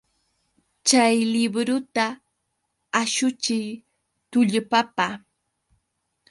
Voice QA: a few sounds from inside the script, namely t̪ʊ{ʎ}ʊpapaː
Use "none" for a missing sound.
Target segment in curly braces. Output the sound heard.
ʎ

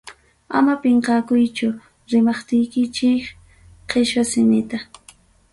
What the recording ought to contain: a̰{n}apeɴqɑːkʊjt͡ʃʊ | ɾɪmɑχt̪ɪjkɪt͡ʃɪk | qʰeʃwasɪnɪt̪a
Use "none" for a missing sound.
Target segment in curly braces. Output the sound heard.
m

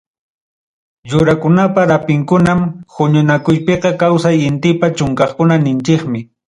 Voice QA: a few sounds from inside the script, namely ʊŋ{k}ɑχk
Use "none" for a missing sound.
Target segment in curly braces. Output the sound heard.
k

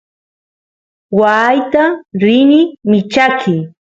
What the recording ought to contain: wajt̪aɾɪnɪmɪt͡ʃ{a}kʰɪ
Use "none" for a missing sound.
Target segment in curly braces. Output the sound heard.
a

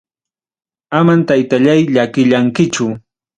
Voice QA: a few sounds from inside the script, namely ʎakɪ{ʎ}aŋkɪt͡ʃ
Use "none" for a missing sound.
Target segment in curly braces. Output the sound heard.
ʎ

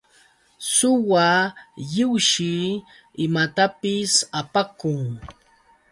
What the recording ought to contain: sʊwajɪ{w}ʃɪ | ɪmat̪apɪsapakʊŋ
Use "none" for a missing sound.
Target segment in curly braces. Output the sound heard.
w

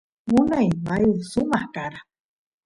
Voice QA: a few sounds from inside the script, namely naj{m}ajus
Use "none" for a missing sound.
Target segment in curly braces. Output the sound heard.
m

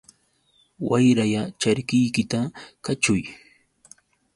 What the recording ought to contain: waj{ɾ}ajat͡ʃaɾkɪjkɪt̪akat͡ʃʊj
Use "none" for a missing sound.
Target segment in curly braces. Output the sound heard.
ɾ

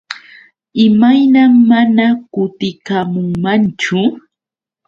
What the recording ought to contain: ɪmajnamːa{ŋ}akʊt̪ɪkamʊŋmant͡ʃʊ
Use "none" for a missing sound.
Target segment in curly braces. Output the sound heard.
n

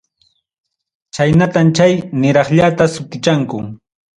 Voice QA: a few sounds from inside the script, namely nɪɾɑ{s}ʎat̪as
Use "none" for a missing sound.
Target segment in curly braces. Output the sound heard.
χ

